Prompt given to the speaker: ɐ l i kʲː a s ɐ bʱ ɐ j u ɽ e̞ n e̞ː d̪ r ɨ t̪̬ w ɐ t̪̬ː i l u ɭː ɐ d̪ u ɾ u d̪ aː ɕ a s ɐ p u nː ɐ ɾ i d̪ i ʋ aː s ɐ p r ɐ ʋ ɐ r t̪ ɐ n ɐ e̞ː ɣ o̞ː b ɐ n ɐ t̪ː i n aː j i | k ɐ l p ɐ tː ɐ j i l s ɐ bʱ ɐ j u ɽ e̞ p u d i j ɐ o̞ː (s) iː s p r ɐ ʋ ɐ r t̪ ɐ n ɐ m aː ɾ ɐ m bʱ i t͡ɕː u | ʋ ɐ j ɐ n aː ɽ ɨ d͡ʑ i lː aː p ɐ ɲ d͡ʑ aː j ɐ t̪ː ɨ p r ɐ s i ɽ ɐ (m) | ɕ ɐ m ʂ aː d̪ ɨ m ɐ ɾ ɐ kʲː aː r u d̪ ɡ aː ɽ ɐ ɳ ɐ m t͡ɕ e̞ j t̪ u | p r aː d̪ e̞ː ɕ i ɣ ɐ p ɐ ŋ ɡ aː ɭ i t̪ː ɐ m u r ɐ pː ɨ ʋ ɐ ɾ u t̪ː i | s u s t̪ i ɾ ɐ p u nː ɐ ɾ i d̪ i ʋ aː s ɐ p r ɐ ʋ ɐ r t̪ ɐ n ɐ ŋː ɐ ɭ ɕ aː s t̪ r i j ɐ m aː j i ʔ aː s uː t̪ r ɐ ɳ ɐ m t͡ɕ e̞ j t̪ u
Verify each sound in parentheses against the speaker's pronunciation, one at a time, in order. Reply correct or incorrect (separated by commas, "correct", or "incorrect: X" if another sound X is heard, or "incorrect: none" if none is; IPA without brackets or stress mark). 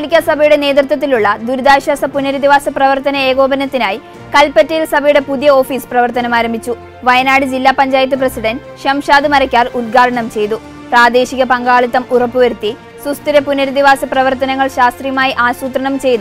incorrect: f, incorrect: n